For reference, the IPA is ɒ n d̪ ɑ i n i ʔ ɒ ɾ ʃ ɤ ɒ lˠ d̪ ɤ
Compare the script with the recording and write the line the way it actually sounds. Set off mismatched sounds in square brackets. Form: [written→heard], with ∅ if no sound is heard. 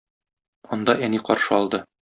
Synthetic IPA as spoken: ɒ n d̪ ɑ [i→æ] n i [ʔ→q] ɒ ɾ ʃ ɤ ɒ lˠ d̪ ɤ